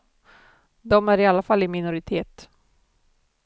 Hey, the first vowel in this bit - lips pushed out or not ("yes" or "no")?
yes